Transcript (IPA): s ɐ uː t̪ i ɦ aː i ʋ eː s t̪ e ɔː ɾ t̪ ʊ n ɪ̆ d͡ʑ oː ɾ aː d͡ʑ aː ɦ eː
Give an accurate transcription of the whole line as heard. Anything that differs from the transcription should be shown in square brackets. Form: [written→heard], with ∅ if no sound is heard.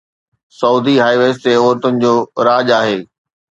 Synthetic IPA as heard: s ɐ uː [t̪→d̪] i ɦ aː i ʋ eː s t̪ e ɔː ɾ t̪ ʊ n ɪ̆ d͡ʑ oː ɾ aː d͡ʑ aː ɦ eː